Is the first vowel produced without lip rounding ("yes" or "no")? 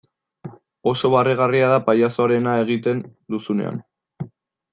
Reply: no